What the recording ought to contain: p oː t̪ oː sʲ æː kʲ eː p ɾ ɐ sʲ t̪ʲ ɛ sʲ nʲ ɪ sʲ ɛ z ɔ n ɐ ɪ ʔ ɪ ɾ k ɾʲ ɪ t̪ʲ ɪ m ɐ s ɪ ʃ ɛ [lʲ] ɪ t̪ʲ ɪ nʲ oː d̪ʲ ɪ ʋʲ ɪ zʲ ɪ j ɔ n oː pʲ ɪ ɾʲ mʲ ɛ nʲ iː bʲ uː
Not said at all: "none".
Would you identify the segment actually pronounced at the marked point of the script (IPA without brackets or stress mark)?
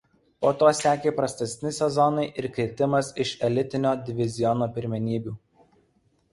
lʲ